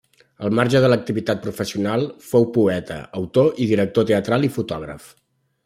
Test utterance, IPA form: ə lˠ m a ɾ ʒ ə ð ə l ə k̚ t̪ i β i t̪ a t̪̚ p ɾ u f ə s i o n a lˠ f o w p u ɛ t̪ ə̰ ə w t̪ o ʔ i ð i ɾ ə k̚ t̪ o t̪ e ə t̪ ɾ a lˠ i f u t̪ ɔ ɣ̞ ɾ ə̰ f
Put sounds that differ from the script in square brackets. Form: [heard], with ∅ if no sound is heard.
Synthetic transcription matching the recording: ə lˠ m a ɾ ʒ ə ð ə l ə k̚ t̪ i β i t̪ a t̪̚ p ɾ u f ə s i [u] n a lˠ f o w p u ɛ t̪ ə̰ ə w t̪ o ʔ i ð i ɾ ə k̚ t̪ o t̪ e ə t̪ ɾ a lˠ i f u t̪ ɔ ɣ̞ ɾ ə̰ f